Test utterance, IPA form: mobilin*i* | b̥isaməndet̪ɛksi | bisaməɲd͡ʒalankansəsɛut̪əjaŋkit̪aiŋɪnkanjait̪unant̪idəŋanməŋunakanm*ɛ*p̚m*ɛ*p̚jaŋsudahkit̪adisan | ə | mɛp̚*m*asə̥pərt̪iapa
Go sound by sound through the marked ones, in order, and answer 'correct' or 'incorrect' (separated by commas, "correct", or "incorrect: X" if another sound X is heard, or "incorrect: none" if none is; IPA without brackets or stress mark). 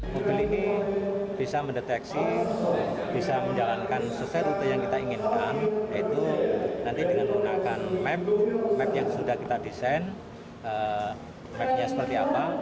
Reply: correct, correct, correct, incorrect: ɲ